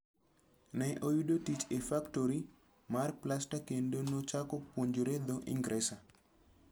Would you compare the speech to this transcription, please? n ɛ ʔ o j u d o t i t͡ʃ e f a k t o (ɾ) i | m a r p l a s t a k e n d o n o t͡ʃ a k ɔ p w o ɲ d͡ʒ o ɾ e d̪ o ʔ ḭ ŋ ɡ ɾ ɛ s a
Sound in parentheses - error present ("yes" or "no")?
no